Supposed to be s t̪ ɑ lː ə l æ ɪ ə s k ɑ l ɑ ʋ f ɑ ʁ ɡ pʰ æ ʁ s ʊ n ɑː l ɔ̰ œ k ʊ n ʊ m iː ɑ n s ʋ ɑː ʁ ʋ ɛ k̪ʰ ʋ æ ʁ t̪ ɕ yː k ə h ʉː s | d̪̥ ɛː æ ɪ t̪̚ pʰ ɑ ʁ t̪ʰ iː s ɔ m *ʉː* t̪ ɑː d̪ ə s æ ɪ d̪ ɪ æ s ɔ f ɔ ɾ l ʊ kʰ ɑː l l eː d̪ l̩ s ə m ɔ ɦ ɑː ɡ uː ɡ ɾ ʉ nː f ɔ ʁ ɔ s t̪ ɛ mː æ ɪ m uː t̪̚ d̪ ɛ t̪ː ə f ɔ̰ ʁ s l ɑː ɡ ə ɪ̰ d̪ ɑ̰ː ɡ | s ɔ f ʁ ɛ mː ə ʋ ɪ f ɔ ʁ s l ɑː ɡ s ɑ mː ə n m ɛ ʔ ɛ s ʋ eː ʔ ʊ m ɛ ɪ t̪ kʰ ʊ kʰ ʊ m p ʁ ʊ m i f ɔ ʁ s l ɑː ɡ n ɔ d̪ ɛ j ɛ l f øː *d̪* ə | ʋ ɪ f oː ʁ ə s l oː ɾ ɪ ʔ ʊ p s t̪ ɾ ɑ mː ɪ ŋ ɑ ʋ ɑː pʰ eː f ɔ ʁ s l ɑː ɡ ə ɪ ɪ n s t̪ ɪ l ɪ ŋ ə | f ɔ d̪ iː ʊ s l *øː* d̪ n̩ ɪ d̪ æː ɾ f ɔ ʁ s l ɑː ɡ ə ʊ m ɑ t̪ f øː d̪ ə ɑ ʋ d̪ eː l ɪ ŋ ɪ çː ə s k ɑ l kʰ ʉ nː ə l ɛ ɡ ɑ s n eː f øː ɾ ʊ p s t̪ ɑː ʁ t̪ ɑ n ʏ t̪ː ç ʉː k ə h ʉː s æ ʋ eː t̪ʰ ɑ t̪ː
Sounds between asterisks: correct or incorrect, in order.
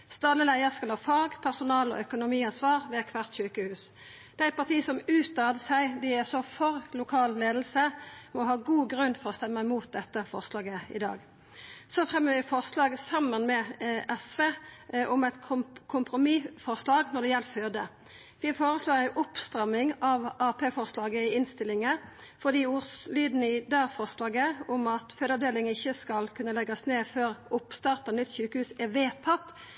correct, correct, incorrect: yː

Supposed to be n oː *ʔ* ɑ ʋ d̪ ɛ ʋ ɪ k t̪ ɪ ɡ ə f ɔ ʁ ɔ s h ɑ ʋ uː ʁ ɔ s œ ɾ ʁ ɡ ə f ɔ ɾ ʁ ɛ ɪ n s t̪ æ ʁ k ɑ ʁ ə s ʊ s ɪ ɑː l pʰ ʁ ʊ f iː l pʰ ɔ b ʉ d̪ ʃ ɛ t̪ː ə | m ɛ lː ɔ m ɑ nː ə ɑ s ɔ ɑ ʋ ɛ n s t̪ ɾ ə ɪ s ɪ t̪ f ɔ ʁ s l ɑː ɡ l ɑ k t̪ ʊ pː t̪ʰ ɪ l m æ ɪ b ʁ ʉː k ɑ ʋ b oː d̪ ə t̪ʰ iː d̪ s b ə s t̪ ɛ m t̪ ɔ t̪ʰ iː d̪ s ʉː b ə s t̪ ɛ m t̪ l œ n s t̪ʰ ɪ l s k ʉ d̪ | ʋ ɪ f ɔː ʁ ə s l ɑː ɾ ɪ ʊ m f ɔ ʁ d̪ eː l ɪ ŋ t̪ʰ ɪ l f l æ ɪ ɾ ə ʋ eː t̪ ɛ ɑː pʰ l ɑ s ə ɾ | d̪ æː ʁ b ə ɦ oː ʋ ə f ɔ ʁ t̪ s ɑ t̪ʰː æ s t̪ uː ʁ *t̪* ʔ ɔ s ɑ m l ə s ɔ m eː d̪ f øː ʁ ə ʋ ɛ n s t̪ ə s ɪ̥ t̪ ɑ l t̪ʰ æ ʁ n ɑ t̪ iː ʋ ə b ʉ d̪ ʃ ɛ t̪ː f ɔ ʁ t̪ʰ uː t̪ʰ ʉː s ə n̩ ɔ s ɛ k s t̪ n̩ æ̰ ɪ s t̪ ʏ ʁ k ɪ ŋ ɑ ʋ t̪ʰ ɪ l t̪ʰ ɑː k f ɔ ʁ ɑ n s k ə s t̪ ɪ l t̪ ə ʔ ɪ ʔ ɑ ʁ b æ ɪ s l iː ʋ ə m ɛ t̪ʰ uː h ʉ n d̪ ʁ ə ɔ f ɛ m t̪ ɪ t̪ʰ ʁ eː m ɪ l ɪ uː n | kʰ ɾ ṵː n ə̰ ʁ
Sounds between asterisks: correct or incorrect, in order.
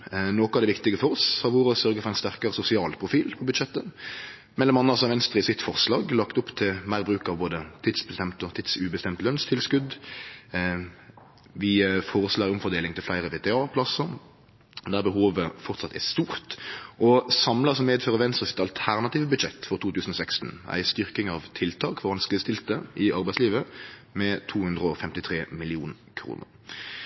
incorrect: k, correct

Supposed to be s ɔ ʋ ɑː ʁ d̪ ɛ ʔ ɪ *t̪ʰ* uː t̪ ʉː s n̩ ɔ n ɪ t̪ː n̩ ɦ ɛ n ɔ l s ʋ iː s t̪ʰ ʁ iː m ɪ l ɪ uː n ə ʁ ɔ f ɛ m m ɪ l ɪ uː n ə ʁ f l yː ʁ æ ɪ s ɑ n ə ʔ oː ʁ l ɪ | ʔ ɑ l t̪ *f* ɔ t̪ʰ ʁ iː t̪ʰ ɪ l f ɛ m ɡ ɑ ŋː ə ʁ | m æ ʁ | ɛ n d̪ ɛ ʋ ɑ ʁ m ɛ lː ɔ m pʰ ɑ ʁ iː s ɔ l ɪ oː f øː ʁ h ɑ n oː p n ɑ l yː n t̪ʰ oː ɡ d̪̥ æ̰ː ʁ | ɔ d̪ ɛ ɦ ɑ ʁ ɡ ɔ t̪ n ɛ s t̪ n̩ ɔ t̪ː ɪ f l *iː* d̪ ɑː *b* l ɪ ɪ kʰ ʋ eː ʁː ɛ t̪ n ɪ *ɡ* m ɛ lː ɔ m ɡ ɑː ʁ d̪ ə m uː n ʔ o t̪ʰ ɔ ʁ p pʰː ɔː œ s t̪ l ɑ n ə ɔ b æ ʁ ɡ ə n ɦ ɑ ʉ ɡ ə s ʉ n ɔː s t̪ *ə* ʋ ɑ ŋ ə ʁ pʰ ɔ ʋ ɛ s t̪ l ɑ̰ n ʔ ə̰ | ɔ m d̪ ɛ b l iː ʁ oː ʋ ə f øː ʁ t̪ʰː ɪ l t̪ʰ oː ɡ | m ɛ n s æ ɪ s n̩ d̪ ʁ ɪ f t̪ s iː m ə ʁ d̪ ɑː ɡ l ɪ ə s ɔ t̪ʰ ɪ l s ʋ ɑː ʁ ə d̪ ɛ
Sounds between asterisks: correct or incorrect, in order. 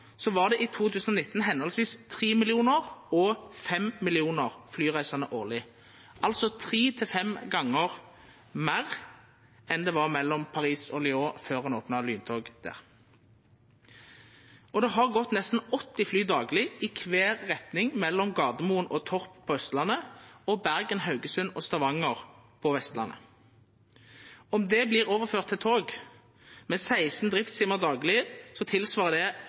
correct, incorrect: s, incorrect: yː, incorrect: ɡ, incorrect: ŋ, incorrect: ɑ

